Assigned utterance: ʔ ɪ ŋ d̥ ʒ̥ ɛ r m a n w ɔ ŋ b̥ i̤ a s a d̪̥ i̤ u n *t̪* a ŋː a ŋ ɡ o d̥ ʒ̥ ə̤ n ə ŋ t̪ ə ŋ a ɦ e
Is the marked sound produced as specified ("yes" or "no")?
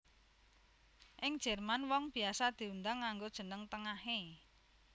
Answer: no